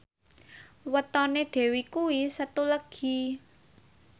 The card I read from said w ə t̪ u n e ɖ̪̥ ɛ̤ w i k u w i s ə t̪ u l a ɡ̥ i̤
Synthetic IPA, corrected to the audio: w ə t̪ ɔ n e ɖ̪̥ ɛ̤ w i k u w i s ə t̪ u l ə ɡ̥ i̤

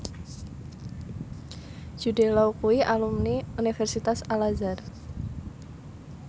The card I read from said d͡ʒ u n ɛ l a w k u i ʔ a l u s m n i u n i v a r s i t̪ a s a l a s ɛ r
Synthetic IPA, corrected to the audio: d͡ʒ u d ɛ l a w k u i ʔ a l u m n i u n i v ɛ r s i t̪ a s a l a z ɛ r

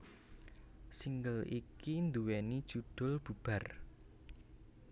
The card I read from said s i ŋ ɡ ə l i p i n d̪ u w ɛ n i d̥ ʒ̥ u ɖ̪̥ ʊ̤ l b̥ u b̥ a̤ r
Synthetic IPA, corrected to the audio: s i ŋ ɡ ə l i k i n d̪ u w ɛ n i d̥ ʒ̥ u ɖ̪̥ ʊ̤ l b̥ u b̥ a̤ r

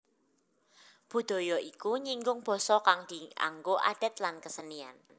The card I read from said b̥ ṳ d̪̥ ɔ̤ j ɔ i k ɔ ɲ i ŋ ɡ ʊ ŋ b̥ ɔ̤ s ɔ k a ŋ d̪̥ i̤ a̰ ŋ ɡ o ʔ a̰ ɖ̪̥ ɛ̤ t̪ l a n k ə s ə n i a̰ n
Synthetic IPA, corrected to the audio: b̥ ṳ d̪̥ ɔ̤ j ɔ i k u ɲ i ŋ ɡ ʊ ŋ b̥ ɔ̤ s ɔ k a ŋ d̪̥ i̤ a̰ ŋ ɡ o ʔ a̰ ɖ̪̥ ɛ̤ t̪ l a n k ə s ə n i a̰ n

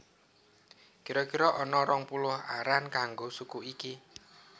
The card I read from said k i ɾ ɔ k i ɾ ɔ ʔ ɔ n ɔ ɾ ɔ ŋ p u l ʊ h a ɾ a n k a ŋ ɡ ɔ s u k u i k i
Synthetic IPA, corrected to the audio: k i ɾ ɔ k i ɾ ɔ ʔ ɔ n ɔ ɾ ɔ ŋ p u l ʊ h a ɾ a n k a ŋ ɡ o s u k u i k i

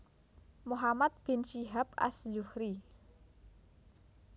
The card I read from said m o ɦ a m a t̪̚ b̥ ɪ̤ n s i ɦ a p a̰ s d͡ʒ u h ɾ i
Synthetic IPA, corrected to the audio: m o ɦ a m a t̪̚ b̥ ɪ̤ n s i ɦ a p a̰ s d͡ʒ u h ɾ i

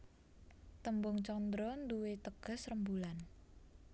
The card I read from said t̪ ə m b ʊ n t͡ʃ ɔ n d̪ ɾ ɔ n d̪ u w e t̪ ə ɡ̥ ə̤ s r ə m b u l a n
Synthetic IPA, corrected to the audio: t̪ ə m b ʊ ŋ t͡ʃ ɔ n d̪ ɾ ɔ n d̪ u w e t̪ ə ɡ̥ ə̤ s r ə m b u l a n

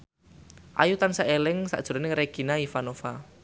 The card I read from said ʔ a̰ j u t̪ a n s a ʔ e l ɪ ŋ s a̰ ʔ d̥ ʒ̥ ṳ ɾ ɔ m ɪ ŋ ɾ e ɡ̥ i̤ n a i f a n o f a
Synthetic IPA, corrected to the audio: ʔ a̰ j u t̪ a n s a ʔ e l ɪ ŋ s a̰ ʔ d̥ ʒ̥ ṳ ɾ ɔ n ɪ ŋ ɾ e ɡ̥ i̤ n a i f a n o f a

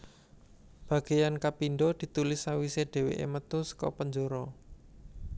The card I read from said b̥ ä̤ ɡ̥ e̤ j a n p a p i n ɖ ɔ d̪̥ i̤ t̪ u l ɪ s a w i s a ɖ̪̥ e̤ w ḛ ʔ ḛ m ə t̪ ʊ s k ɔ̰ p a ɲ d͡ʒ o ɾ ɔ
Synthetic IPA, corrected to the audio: b̥ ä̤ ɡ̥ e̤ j a n k a p i n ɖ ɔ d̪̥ i̤ t̪ u l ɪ s a w i s e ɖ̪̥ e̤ w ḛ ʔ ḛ m ə t̪ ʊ s k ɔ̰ p ə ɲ d͡ʒ o ɾ ɔ

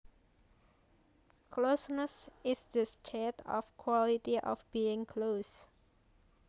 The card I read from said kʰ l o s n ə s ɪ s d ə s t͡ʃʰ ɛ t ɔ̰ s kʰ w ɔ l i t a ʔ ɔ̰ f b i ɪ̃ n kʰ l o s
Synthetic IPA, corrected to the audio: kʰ l o s n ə s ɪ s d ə s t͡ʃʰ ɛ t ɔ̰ f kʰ w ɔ l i t i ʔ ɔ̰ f b i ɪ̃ ŋ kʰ l o s

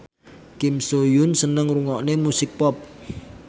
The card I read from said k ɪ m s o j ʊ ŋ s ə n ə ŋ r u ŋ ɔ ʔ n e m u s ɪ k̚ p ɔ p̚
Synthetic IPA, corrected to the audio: k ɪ m s o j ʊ n s ə n ə ŋ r u ŋ ɔ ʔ n e m u s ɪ k̚ p ɔ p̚

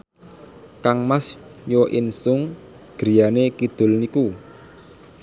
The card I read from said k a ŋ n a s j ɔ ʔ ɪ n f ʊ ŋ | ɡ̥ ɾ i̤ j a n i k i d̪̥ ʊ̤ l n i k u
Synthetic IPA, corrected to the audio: k a ŋ m a s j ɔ ʔ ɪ n s ʊ ŋ | ɡ̥ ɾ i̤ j a n e k i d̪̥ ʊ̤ l n i k u

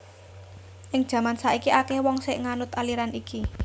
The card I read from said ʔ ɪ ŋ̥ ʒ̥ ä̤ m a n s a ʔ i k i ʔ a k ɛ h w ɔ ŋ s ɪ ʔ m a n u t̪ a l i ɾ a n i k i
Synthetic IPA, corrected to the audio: ʔ ɪ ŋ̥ ʒ̥ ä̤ m a n s a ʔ i k i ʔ a k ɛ h w ɔ ŋ s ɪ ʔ ŋ a n ʊ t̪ a l i ɾ a n i k i

